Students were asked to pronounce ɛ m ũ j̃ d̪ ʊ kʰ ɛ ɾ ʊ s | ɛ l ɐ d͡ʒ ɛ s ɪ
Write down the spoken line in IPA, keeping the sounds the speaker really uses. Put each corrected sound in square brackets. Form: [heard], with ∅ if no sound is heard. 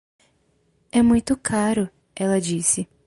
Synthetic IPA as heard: ɛ m ũ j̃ [t̪] ʊ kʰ [a] ɾ ʊ [∅] | ɛ l ɐ d͡ʒ [i] s ɪ